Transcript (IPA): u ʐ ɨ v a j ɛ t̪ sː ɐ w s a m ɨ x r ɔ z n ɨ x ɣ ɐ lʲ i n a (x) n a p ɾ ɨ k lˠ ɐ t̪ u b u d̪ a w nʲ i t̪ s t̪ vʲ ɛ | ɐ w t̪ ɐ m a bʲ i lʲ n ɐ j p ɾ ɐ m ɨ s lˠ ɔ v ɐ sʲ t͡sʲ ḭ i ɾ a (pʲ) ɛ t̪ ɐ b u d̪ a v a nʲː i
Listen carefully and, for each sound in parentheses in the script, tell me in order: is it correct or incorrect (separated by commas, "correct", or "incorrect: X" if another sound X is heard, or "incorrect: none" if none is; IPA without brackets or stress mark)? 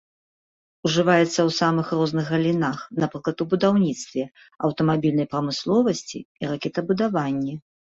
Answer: correct, incorrect: kʲ